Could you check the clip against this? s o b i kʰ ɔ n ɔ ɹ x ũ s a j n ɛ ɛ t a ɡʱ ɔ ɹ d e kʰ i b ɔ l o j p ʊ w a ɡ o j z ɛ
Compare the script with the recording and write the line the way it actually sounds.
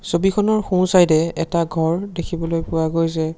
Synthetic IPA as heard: s o b i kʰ ɔ n ɔ ɹ x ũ s a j d ɛ ɛ t a ɡʱ ɔ ɹ d e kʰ i b ɔ l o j p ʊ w a ɡ o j z ɛ

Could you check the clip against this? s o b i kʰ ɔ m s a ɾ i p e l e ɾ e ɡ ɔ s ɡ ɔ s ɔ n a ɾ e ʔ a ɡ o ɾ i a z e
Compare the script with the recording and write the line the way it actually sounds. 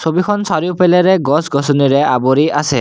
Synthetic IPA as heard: s o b i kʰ ɔ n s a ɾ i p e l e ɾ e ɡ ɔ s ɡ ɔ s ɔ n i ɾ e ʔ a b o ɾ i a s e

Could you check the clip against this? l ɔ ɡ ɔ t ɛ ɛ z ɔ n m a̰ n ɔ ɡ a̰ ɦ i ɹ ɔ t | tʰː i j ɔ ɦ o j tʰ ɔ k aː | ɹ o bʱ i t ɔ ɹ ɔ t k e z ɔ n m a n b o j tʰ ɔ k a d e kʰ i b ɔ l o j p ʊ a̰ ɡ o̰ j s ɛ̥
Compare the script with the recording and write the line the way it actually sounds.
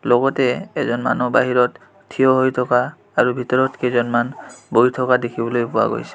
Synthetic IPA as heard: l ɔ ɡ ɔ t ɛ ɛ z ɔ n m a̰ n ɔ b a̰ ɦ i ɹ ɔ t | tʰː i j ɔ ɦ o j tʰ ɔ k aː | ɹ u bʱ i t ɔ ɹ ɔ t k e z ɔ n m a n b o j tʰ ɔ k a d e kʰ i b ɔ l o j p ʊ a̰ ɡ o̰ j s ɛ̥

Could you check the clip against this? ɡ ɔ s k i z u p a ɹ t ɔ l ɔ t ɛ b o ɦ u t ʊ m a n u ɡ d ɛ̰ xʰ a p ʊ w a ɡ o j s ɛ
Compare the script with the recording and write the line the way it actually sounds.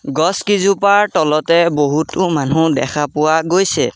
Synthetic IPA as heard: ɡ ɔ s k i z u p a ɹ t ɔ l ɔ t ɛ b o ɦ u t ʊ m a n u d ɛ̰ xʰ a p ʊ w a ɡ o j s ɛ

